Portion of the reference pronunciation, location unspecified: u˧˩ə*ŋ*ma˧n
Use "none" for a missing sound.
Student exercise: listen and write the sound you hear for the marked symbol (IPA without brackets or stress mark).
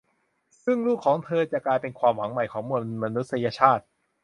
n